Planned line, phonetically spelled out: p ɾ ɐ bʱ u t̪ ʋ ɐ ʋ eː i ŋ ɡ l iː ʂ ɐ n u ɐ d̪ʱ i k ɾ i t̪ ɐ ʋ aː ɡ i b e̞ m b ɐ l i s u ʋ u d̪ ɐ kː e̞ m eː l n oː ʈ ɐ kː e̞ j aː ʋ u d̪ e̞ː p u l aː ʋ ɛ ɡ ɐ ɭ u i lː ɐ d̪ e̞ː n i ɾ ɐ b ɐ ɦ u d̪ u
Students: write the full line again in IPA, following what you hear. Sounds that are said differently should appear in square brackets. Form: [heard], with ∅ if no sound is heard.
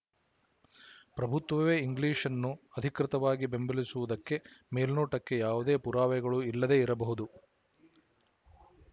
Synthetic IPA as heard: p ɾ ɐ bʱ u t̪ ʋ ɐ ʋ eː i ŋ ɡ l iː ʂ ɐ [nː] u ɐ d̪ʱ i k ɾ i t̪ ɐ ʋ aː ɡ i b e̞ m b ɐ l i s u ʋ u d̪ ɐ kː e̞ m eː l n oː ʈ ɐ kː e̞ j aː ʋ u d̪ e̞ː p u [ɾ] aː ʋ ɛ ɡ ɐ ɭ u i lː ɐ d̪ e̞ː [∅] i ɾ ɐ b ɐ ɦ u d̪ u